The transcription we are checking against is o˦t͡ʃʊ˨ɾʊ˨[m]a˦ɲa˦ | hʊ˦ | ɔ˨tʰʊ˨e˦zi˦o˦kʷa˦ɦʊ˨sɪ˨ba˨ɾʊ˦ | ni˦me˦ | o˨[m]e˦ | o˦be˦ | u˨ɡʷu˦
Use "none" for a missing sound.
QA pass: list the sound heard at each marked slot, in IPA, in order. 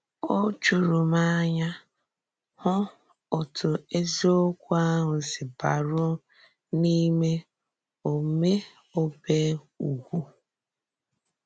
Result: m, m

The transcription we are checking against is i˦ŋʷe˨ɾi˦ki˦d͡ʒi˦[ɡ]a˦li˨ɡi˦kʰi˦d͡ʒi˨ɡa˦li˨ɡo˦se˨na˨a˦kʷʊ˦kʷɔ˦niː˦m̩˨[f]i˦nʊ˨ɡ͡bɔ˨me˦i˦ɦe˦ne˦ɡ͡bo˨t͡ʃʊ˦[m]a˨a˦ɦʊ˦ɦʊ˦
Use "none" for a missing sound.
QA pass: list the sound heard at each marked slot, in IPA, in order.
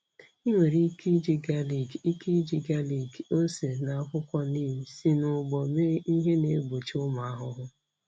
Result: ɡ, s, m

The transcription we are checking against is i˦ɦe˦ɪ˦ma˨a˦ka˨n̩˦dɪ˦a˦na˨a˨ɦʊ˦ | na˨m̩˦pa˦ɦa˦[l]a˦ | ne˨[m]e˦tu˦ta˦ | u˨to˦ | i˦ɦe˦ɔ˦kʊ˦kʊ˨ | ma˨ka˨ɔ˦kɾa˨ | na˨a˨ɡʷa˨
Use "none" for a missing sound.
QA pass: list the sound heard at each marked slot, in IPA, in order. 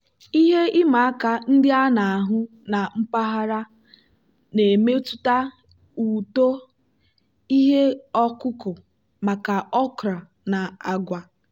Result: ɾ, m

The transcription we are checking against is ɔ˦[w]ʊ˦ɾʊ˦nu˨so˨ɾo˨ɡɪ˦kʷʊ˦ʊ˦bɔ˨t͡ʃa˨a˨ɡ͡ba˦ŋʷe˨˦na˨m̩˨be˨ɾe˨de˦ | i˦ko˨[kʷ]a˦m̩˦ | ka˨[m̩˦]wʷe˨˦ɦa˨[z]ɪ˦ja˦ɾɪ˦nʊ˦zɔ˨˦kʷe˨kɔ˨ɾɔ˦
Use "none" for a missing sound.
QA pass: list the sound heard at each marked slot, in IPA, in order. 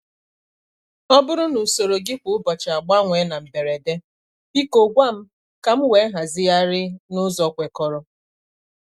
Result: b, ɡʷ, m̩˦, z

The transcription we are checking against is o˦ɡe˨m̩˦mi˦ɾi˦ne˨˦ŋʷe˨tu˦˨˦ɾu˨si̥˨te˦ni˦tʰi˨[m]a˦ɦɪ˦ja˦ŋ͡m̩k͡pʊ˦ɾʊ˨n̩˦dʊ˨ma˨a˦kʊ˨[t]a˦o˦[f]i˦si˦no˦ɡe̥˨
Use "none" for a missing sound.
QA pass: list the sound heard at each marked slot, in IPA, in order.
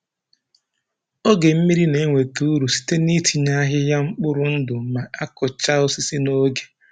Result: ɲ, t͡ʃ, s

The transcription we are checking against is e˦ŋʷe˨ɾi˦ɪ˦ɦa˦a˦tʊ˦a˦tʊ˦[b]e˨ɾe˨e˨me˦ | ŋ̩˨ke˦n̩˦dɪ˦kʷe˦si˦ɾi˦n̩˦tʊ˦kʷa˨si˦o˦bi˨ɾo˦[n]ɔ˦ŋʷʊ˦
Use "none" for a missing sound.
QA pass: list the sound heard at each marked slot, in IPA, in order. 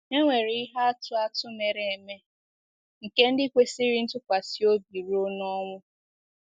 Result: m, n

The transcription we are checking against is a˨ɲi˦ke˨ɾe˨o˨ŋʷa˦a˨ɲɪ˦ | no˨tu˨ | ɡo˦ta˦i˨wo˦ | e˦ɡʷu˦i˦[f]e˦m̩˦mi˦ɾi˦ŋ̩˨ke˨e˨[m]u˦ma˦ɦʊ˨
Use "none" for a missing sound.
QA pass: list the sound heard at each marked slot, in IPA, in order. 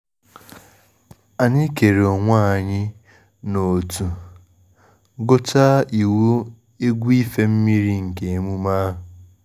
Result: f, m

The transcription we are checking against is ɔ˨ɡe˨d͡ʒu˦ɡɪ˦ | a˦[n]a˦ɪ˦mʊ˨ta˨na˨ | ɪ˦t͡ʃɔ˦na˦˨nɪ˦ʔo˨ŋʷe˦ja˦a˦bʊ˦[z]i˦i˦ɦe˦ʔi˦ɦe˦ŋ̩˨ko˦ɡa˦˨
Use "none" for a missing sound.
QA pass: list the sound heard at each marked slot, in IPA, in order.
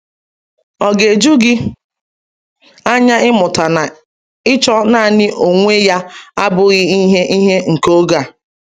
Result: ɲ, ɣ

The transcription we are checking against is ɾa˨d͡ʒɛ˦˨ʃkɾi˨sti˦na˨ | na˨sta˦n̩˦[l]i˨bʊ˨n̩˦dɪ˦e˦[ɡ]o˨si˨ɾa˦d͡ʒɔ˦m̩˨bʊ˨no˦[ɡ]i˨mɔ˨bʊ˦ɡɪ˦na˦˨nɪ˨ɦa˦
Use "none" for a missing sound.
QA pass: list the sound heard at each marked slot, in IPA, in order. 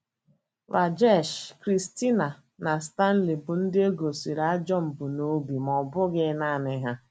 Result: l, ɡ, b

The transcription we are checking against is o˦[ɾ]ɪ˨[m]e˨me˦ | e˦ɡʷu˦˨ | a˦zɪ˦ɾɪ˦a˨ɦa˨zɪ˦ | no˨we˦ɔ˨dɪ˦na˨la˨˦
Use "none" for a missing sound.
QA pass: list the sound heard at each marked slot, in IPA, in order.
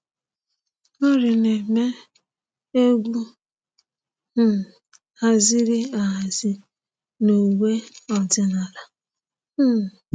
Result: ɾ, n

